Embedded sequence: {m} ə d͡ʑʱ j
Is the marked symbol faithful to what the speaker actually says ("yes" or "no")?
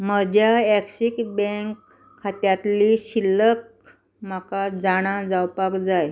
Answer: yes